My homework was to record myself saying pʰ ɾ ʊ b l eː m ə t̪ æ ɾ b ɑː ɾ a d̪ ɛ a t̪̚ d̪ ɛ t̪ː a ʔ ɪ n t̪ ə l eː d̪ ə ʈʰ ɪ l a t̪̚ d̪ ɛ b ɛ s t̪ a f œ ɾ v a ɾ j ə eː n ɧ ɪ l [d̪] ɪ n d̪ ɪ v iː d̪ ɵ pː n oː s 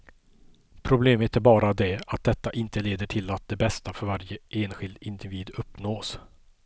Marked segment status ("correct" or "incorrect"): correct